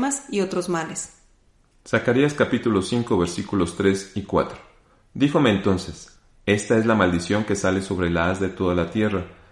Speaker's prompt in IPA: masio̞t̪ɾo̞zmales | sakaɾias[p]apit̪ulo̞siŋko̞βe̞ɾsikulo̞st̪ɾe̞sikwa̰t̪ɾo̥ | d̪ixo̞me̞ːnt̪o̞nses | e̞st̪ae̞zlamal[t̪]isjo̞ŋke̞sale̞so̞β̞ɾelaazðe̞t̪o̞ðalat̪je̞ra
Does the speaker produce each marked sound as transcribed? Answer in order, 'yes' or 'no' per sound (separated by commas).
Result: no, no